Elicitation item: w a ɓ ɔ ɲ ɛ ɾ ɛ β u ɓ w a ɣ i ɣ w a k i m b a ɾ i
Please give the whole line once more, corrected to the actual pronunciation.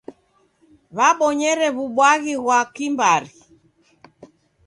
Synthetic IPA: β a ɓ ɔ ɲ ɛ ɾ ɛ β u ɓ w a ɣ i ɣ w a k i m b a ɾ i